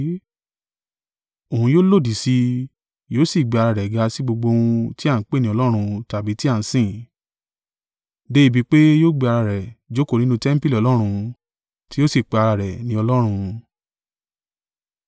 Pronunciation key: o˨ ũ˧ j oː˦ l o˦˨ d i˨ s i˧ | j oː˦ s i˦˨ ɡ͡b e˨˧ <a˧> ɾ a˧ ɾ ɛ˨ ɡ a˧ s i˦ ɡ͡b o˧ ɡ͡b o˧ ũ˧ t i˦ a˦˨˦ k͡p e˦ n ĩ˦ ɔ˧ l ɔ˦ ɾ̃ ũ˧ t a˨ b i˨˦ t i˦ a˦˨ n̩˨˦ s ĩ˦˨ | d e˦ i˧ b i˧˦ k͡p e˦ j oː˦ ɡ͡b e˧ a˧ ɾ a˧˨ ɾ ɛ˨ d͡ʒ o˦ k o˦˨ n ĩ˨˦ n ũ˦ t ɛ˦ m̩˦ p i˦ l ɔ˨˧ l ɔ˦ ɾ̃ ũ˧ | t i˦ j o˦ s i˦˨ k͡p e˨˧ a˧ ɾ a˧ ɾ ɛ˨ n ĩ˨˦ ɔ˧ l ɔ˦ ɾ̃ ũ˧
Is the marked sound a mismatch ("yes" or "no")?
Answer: no